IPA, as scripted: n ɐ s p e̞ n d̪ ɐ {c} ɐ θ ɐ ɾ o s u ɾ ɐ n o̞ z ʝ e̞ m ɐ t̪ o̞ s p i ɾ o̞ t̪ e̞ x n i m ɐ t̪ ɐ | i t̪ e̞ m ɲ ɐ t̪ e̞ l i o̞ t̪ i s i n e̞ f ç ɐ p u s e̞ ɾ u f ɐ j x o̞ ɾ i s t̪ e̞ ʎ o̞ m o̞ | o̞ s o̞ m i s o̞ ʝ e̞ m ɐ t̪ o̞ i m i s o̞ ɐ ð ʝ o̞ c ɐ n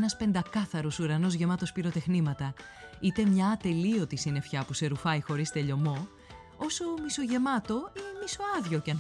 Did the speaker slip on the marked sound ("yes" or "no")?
yes